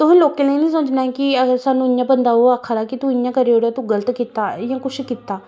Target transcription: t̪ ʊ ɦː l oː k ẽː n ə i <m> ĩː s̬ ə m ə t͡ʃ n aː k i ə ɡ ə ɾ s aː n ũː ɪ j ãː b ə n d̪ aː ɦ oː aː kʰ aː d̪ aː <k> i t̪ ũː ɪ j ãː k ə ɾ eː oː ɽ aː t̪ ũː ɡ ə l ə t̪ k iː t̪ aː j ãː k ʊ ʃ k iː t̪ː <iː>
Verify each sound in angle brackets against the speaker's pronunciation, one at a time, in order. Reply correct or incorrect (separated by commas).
incorrect, correct, incorrect